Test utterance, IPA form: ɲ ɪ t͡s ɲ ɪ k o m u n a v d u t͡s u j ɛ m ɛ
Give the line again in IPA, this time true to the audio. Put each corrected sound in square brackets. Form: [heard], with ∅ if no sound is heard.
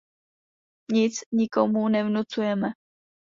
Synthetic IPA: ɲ ɪ t͡s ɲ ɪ k o m u n [ɛ] v [n] u t͡s u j ɛ m ɛ